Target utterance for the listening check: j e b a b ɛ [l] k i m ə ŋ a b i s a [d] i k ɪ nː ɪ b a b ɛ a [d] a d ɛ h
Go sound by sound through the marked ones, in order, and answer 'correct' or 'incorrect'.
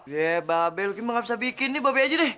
correct, incorrect, incorrect

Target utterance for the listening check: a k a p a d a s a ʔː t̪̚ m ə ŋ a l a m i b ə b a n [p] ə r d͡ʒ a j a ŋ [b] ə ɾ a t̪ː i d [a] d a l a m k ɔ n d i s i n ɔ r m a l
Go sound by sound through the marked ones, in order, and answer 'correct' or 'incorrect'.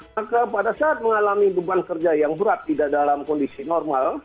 incorrect, correct, correct

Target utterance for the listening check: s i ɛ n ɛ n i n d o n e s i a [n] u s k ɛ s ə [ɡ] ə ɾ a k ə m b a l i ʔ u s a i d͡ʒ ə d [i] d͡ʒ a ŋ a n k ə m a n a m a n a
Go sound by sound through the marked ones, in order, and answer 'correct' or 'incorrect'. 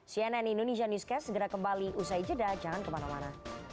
correct, correct, incorrect

